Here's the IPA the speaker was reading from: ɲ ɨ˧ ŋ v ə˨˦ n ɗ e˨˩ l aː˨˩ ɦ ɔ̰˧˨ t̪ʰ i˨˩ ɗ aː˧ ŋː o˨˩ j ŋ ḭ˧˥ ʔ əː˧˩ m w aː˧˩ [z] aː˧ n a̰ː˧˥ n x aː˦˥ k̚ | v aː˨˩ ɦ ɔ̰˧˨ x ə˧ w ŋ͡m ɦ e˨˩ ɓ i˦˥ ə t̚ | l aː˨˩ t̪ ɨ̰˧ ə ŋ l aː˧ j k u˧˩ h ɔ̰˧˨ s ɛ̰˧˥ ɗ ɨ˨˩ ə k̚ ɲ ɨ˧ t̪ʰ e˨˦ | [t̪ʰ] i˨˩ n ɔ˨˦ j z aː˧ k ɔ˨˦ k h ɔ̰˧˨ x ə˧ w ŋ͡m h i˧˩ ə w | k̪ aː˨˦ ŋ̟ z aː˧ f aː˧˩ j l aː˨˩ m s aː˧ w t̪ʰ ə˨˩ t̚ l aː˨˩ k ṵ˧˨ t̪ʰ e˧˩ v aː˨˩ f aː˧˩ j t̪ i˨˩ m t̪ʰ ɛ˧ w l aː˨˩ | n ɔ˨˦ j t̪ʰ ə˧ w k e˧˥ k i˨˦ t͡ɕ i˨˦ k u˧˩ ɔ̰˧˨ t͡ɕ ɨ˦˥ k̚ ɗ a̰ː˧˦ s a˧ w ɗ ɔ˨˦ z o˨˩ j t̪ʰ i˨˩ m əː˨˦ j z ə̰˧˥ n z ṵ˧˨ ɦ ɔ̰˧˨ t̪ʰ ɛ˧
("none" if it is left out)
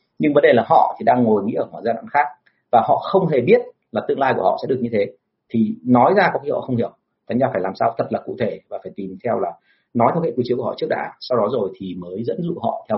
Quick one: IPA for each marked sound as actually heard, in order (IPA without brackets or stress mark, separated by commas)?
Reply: z, t̪ʰ